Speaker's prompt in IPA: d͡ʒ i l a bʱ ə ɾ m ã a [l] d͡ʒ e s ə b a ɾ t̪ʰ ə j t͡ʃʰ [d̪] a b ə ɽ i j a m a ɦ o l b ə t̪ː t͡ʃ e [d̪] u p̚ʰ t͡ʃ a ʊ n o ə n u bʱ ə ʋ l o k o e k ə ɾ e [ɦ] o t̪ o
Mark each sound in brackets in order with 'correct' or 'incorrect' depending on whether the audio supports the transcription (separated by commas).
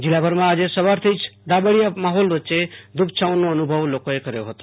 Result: incorrect, correct, correct, correct